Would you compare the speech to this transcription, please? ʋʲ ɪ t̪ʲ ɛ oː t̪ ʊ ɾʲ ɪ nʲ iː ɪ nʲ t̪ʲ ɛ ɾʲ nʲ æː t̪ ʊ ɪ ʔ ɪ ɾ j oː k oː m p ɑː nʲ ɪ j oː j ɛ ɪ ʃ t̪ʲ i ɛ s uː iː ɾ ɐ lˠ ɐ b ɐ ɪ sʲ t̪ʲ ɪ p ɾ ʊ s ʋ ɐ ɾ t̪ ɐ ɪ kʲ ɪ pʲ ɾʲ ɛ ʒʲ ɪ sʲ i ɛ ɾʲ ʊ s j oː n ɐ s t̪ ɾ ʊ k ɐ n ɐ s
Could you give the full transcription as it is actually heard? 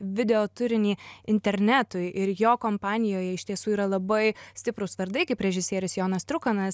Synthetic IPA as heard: ʋʲ ɪ d̪ʲ ɛ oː t̪ ʊ ɾʲ ɪ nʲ iː ɪ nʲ t̪ʲ ɛ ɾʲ nʲ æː t̪ ʊ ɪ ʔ ɪ ɾ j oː k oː m p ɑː nʲ ɪ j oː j ɛ ɪ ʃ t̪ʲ i ɛ s uː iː ɾ ɐ lˠ ɐ b ɐ ɪ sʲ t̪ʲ ɪ p ɾ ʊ s ʋ ɐ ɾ d̪ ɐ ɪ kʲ ɪ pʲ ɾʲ ɛ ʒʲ ɪ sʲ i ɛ ɾʲ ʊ s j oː n ɐ s t̪ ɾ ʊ k ɐ n ɐ s

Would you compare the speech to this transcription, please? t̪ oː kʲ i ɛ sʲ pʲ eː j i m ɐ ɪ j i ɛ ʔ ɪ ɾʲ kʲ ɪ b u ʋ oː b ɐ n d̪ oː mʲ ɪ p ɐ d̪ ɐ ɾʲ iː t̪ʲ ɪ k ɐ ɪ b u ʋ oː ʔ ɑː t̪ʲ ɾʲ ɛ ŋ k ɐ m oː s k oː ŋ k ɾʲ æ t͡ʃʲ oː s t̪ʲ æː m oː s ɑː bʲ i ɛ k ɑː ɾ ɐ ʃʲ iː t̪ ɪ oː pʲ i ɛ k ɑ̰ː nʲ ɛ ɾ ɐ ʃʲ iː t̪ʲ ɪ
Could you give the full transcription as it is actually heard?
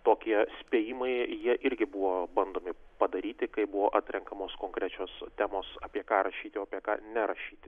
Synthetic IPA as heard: t̪ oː kʲ i ɛ sʲ pʲ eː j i m ɐ ɪ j i ɛ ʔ ɪ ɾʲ ɡʲ ɪ b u ʋ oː b ɐ n d̪ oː mʲ ɪ p ɐ d̪ ɐ ɾʲ iː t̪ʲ ɪ k ɐ ɪ b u ʋ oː ʔ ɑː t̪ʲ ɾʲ ɛ ŋ k ɐ m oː s k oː ŋ k ɾʲ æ t͡ʃʲ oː s t̪ʲ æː m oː s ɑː pʲ i ɛ k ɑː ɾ ɐ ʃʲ iː t̪ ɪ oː pʲ i ɛ k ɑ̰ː nʲ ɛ ɾ ɐ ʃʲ iː t̪ʲ ɪ

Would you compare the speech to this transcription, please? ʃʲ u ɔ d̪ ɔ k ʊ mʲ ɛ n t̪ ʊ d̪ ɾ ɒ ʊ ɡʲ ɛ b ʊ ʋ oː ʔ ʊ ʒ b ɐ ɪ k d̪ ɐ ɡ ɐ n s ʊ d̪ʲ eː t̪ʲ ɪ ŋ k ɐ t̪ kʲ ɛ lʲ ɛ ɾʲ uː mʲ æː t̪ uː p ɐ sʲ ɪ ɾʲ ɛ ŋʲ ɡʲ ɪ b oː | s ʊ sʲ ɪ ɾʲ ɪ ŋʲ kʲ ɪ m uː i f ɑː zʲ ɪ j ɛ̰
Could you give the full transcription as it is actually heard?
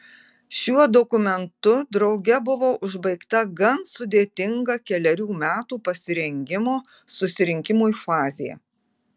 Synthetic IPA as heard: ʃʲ u ɔ d̪ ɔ k ʊ mʲ ɛ n t̪ ʊ d̪ ɾ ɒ ʊ ɡʲ ɛ b ʊ ʋ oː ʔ ʊ ʒ b ɐ ɪ k t̪ ɐ ɡ ɐ n s ʊ d̪ʲ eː t̪ʲ ɪ ŋ ɡ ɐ kʲ ɛ lʲ ɛ ɾʲ uː mʲ æː t̪ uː p ɐ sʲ ɪ ɾʲ ɛ ŋʲ ɡʲ ɪ m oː | s ʊ sʲ ɪ ɾʲ ɪ ŋʲ kʲ ɪ m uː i f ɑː zʲ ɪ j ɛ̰

